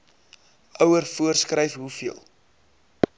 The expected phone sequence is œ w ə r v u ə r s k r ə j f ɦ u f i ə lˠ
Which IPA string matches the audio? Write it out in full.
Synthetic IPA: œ w ə r f u ə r s k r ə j f ɦ u f i ə lˠ